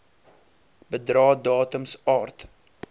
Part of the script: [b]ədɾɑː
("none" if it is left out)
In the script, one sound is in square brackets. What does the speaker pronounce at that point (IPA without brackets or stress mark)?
b